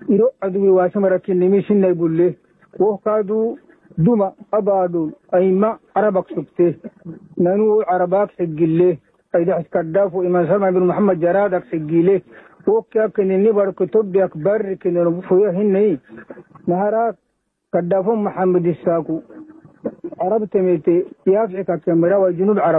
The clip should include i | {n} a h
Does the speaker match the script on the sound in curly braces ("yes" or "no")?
yes